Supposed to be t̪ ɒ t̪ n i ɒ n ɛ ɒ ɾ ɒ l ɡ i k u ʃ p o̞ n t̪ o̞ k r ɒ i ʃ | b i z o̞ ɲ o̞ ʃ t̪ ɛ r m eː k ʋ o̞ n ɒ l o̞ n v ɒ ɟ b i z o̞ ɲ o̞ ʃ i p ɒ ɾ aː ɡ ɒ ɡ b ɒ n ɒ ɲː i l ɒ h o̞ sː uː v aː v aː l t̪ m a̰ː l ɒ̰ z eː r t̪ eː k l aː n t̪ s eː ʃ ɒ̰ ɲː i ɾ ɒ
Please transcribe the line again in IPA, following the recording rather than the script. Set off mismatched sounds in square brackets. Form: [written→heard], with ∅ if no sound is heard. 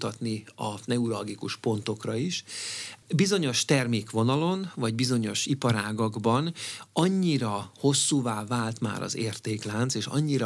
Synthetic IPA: t̪ ɒ t̪ n i ɒ n ɛ [ɒ→u] ɾ ɒ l ɡ i k u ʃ p o̞ n t̪ o̞ k r ɒ i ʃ | b i z o̞ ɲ o̞ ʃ t̪ ɛ r m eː k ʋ o̞ n ɒ l o̞ n v ɒ ɟ b i z o̞ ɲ o̞ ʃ i p ɒ ɾ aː ɡ ɒ ɡ b ɒ n ɒ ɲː i [l→ɾ] ɒ h o̞ sː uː v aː v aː l t̪ m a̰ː [l→ɾ] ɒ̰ z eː r t̪ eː k l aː n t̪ s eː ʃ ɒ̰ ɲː i ɾ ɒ